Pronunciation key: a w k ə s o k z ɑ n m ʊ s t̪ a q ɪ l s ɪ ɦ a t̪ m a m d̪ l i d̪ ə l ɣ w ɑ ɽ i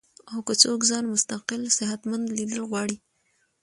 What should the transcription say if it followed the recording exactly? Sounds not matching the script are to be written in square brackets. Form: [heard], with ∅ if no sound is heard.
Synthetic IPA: a w k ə [t͡s] o k z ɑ n m ʊ s t̪ a q ɪ l s ɪ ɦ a t̪ m a [n] d̪ l i d̪ ə l ɣ w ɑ ɽ i